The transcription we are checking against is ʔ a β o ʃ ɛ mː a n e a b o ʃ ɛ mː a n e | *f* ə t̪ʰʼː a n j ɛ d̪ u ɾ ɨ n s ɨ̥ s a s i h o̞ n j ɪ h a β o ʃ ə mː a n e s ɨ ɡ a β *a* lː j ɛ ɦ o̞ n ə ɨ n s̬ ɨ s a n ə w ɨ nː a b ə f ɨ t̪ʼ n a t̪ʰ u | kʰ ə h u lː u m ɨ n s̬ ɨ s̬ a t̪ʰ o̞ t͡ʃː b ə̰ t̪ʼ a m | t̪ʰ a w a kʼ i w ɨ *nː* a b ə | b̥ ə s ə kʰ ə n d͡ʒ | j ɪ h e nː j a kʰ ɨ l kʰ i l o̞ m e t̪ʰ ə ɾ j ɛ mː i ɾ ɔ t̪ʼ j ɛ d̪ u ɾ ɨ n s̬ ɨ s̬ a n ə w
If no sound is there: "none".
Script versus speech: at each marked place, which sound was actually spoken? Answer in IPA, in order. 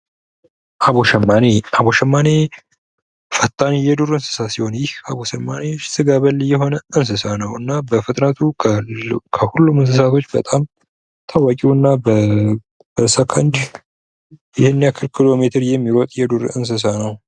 f, ə, nː

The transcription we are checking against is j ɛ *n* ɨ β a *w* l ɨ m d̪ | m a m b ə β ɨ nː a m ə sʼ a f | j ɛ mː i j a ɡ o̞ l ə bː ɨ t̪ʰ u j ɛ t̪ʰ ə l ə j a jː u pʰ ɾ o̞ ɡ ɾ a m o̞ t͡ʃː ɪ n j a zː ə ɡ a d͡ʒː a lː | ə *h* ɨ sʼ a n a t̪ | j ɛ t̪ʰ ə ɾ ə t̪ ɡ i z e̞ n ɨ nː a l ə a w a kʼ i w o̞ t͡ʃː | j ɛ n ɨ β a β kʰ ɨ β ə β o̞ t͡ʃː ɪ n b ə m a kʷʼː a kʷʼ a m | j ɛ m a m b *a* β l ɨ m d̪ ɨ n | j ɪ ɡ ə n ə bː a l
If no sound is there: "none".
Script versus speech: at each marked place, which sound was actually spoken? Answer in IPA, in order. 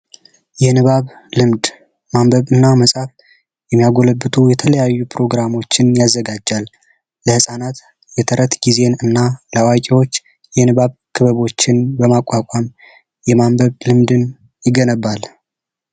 n, β, h, ə

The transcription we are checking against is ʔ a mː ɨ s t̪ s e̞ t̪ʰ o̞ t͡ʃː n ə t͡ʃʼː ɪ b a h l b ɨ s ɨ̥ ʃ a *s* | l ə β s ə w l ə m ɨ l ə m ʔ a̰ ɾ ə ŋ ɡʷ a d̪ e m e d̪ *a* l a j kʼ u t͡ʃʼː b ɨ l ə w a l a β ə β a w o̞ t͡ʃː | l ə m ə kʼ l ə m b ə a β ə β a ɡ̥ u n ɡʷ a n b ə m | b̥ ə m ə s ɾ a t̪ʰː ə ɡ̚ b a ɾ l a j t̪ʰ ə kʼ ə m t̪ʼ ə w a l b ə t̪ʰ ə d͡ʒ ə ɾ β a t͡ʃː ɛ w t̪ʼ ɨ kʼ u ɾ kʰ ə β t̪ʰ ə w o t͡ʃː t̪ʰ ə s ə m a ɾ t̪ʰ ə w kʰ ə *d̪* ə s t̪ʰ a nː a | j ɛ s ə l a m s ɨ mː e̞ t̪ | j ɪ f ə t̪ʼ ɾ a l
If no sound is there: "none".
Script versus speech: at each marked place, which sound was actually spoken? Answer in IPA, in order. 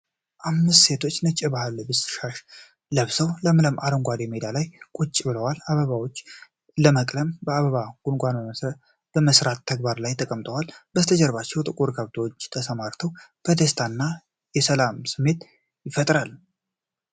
ʃ, a, d̪

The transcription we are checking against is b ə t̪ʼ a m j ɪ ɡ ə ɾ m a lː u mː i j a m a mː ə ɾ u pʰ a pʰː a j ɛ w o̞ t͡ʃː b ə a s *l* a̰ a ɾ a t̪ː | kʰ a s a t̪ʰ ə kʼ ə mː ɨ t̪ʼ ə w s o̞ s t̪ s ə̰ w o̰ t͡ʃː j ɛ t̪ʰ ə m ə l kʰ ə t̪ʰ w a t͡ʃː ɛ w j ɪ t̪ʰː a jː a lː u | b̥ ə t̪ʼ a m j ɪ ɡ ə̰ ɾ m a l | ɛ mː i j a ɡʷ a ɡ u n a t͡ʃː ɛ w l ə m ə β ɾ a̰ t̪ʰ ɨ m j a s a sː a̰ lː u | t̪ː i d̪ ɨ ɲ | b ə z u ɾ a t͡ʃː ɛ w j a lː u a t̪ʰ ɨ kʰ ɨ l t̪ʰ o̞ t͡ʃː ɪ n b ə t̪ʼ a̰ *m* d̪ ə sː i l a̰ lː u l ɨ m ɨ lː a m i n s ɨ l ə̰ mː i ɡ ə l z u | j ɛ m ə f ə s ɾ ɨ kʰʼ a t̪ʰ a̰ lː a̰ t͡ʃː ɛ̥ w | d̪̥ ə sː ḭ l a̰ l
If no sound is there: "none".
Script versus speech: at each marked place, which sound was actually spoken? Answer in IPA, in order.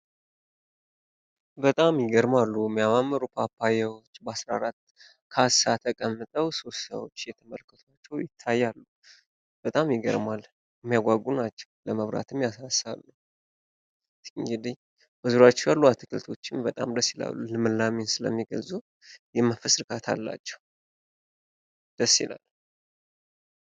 ɾ, m

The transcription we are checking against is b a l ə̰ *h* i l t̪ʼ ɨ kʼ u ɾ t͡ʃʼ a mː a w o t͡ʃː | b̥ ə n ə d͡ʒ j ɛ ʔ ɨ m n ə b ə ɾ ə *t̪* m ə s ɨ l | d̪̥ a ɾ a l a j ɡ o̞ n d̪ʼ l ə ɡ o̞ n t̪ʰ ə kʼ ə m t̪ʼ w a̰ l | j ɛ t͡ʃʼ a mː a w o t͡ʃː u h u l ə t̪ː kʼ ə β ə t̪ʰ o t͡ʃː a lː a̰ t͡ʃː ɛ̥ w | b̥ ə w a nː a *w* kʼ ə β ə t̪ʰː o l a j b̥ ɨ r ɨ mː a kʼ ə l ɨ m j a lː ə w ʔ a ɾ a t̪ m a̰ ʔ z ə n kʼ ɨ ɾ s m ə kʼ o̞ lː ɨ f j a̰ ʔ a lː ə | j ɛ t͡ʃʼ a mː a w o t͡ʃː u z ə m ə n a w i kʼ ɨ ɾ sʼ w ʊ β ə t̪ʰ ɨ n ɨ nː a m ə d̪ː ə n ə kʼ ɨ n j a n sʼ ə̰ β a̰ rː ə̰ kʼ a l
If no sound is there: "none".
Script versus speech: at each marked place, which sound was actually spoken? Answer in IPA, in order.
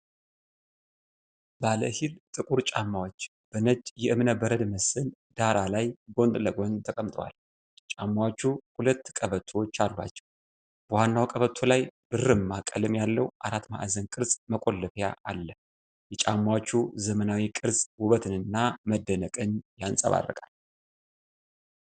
h, d̪, w

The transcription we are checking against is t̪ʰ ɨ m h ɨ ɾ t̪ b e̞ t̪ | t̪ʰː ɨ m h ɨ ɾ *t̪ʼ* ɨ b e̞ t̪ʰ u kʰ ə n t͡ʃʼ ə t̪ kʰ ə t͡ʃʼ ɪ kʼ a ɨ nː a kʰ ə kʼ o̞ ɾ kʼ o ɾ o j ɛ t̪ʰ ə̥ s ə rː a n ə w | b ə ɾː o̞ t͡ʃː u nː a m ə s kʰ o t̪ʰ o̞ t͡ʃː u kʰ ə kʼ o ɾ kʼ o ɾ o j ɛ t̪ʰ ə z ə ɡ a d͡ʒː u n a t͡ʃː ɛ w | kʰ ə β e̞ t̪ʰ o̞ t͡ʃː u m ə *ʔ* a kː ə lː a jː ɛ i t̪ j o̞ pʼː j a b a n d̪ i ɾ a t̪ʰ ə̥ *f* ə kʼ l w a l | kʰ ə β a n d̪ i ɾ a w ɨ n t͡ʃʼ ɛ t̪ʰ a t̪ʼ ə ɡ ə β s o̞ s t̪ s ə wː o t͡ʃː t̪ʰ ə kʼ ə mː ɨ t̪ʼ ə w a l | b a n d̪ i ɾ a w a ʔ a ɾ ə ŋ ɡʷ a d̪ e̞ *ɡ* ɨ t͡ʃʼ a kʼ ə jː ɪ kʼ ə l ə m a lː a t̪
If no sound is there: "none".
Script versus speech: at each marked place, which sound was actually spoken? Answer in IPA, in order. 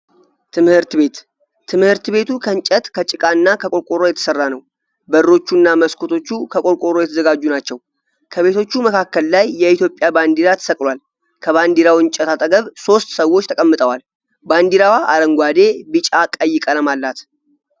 t̪, k, s, b

